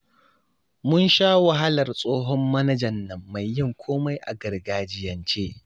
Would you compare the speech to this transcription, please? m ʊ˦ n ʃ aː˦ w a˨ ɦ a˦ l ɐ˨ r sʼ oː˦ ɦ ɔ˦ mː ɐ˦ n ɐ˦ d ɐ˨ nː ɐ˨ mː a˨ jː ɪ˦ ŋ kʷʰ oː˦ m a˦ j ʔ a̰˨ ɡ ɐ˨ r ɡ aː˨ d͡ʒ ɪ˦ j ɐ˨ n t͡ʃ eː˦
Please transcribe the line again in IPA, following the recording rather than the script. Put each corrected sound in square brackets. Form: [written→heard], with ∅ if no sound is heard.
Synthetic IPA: m ʊ˦ n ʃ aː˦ w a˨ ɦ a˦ l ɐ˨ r sʼ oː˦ ɦ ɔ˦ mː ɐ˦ n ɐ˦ [d→d͡ʒ] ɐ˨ nː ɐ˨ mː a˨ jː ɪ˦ ŋ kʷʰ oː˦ m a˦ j ʔ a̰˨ ɡ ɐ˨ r ɡ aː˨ d͡ʒ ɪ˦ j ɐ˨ n t͡ʃ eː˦